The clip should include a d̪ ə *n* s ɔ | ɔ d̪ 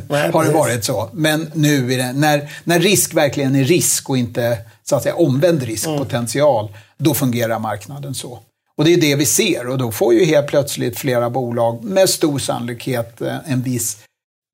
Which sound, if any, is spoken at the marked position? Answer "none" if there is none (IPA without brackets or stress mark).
n